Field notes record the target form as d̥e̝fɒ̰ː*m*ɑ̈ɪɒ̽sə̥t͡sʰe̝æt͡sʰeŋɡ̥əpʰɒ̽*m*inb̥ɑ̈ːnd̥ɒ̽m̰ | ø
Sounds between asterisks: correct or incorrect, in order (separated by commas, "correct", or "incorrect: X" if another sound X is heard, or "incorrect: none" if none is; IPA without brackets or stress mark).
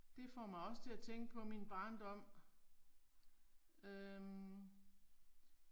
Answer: correct, correct